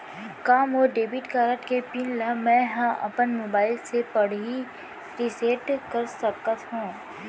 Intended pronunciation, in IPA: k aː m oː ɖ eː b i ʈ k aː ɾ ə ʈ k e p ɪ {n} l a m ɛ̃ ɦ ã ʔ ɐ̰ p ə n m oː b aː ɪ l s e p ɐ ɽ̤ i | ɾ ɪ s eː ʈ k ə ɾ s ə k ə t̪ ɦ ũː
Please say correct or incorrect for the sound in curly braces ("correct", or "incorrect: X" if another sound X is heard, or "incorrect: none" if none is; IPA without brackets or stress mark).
correct